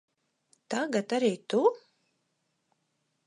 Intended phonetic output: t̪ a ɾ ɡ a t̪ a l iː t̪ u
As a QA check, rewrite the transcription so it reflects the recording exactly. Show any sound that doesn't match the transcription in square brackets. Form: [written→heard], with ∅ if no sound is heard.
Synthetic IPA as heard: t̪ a [ɾ→∅] ɡ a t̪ a [l→ɾ] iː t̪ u